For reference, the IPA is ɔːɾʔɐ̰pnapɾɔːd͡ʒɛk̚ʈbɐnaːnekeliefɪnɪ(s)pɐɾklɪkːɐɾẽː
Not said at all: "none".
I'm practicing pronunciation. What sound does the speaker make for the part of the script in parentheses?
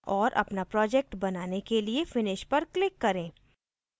ʃ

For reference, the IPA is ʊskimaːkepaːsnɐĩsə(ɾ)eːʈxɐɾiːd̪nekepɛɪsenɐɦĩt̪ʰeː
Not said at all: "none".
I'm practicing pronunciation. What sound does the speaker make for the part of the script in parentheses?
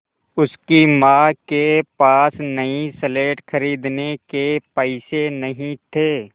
l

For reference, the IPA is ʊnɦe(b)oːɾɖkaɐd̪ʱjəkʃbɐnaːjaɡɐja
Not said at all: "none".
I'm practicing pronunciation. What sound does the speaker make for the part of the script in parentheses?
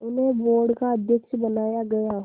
b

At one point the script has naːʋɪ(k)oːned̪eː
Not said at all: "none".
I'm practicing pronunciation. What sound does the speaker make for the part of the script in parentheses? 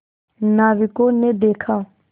k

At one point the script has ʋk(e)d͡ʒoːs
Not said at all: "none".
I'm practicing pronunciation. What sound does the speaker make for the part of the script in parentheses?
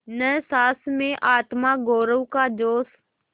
a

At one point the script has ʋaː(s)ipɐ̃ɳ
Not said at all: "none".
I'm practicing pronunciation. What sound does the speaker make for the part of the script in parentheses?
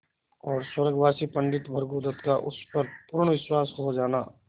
s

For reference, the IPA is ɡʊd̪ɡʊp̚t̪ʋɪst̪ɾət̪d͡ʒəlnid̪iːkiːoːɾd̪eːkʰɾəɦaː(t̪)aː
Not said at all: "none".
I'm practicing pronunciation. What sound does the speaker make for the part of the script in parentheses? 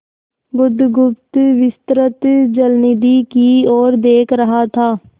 t̪ʰ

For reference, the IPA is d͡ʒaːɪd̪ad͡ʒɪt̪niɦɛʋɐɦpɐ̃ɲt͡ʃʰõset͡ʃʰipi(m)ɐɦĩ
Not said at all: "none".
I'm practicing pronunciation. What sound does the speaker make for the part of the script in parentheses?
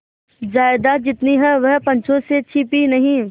n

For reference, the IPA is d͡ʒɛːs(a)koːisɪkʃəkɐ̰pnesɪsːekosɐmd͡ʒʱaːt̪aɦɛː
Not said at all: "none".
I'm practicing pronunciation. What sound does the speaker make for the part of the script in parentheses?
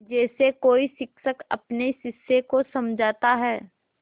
e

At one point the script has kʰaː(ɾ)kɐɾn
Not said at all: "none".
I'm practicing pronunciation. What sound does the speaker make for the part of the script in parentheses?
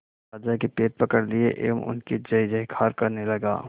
ɾ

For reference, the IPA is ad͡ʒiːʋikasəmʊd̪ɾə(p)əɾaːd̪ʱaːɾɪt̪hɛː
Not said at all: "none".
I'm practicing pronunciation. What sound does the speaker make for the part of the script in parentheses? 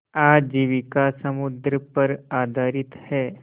p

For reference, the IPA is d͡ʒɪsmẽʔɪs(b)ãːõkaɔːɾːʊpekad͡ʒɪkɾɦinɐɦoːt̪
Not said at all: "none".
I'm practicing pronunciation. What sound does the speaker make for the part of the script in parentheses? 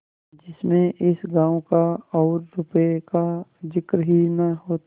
ɡ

